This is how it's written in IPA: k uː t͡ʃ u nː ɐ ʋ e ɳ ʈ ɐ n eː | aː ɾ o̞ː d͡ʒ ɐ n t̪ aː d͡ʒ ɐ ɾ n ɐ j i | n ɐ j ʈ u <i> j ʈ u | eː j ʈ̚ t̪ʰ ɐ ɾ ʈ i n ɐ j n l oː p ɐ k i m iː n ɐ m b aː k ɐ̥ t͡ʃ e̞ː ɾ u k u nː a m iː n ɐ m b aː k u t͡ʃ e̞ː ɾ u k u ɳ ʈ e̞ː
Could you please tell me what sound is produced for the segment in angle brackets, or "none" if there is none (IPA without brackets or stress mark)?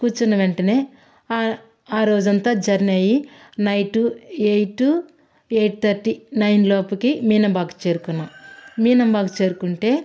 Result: e